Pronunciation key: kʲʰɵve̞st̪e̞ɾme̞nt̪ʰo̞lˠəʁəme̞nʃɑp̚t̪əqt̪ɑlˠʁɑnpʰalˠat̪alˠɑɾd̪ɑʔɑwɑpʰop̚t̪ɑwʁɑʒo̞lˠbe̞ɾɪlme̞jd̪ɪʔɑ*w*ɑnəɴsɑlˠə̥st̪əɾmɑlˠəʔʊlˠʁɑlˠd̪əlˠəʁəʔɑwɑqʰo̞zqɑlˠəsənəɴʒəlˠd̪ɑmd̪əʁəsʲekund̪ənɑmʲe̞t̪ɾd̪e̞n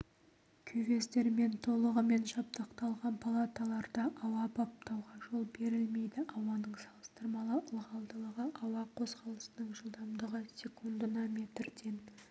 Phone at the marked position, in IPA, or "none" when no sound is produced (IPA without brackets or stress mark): w